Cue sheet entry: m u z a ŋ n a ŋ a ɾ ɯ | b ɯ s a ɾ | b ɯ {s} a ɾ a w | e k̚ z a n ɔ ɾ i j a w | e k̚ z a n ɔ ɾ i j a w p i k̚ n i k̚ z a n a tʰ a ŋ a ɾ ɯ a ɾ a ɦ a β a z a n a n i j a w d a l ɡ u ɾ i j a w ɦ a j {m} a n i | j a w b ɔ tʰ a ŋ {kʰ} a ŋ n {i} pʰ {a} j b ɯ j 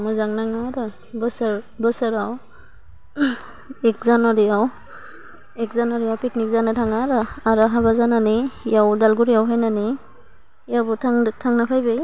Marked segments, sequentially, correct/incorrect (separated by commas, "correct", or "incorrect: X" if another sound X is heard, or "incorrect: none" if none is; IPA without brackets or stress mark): correct, incorrect: n, incorrect: tʰ, incorrect: a, correct